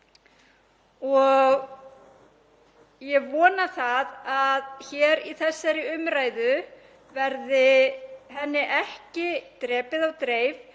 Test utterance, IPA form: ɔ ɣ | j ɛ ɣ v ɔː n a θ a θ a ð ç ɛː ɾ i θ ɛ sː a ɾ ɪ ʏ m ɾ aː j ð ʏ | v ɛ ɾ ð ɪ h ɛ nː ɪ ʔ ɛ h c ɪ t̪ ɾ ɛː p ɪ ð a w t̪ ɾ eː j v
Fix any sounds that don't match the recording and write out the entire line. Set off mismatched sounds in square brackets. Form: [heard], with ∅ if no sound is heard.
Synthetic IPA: ɔ ɣ | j ɛ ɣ v ɔː n a θ a [ð] a ð ç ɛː ɾ i θ ɛ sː a ɾ ɪ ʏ m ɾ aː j ð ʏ | v ɛ ɾ ð ɪ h ɛ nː ɪ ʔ ɛ h c ɪ t̪ ɾ ɛː p ɪ ð a w t̪ ɾ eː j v